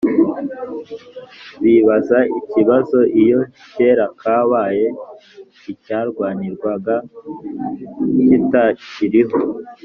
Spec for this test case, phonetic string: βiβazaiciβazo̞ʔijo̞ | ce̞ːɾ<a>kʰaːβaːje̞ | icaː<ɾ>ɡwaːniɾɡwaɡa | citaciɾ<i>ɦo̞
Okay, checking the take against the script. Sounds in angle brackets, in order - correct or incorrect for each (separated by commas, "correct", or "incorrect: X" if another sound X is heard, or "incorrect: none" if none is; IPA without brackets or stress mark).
correct, correct, correct